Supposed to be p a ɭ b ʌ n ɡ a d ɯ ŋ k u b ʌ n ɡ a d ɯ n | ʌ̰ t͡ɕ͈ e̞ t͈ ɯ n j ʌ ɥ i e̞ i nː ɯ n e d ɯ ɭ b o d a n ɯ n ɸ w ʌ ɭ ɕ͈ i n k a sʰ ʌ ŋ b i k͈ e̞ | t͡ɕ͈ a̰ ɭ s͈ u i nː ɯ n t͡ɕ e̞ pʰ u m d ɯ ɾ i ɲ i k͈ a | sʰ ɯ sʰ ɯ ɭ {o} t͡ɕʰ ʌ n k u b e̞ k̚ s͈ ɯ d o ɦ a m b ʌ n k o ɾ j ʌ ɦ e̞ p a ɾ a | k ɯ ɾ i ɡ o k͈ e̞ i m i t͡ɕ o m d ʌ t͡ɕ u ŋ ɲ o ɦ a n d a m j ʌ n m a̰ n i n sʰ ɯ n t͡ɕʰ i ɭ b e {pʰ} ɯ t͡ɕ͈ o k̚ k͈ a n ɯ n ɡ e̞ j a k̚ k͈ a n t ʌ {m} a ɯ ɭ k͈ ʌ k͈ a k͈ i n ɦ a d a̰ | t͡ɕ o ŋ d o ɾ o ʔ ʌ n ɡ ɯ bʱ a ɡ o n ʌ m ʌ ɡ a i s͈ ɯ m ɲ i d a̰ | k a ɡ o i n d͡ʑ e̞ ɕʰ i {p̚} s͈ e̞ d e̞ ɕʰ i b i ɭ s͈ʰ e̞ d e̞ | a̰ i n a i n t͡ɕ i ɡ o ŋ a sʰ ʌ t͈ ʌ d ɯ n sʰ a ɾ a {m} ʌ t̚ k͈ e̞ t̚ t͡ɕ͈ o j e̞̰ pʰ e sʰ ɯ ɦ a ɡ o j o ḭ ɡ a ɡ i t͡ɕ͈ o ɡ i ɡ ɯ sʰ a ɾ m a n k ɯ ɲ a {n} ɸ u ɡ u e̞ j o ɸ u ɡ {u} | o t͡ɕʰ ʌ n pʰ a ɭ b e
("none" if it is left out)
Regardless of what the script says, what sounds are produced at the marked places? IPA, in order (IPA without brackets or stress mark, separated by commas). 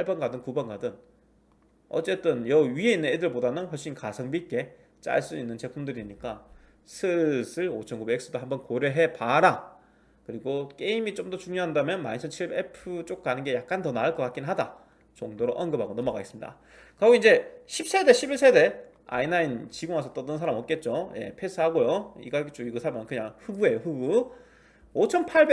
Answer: o, pʰ, n, p̚, m, ŋ, u